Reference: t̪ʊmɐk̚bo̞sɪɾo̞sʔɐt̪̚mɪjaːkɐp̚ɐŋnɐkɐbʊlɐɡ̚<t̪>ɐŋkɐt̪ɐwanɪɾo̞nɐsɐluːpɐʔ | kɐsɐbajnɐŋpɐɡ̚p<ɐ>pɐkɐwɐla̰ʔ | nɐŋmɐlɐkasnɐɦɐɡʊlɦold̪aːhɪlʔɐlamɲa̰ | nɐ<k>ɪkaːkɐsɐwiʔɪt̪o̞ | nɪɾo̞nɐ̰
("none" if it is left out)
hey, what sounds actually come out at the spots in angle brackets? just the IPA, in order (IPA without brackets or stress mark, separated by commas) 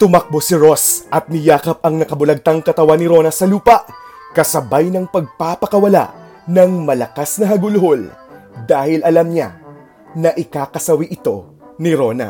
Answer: t̪, a, ʔ